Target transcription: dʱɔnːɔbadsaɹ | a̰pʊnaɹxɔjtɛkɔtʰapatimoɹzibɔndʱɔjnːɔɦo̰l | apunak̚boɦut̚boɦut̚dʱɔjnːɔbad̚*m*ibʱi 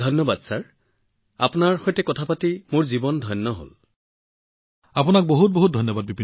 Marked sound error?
yes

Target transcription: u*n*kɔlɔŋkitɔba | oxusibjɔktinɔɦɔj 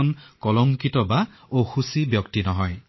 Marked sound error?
no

